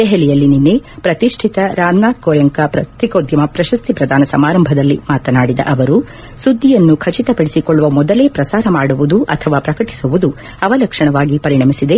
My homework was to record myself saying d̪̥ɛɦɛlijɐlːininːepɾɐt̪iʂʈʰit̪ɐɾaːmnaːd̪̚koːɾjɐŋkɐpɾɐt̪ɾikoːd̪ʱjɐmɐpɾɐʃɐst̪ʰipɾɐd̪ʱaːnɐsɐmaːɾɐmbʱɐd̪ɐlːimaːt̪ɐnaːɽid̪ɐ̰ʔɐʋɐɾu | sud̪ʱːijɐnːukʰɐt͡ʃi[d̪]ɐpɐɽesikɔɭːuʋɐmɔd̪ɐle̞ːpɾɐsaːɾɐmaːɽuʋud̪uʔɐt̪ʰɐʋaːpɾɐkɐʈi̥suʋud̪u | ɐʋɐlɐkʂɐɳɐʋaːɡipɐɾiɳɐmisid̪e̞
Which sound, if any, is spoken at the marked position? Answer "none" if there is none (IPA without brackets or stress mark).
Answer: t̪